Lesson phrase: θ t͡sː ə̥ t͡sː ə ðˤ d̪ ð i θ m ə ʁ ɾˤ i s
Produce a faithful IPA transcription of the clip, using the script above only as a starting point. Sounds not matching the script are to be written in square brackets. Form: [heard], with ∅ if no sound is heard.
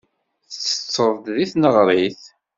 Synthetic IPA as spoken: θ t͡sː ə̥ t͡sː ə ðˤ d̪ ð i θ [n] ə ʁ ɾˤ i [θ]